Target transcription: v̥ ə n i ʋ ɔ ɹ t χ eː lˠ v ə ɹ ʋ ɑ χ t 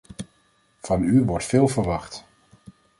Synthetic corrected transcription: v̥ ɑ n y ʋ ɔ ɹ t f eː lˠ v ə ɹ ʋ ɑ χ t

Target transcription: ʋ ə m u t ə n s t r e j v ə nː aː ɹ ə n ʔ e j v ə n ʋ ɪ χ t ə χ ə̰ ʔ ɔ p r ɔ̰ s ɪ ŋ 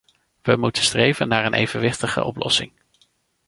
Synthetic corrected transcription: ʋ ə m u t ə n s t r e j v ə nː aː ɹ ə n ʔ e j v ə n ʋ ɪ χ t ə χ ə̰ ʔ ɔ p l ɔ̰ s ɪ ŋ

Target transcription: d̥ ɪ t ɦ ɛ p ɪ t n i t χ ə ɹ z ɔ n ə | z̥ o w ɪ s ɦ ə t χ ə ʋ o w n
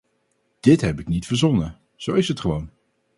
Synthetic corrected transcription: d̥ ɪ t ɦ ɛ p ɪ k n i t f ə ɹ z ɔ n ə | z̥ o w ɪ s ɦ ə t χ ə ʋ o w n

